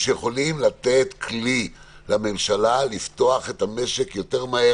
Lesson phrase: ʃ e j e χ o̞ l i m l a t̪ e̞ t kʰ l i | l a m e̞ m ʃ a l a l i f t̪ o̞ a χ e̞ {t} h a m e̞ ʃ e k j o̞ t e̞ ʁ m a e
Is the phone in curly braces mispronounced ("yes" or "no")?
no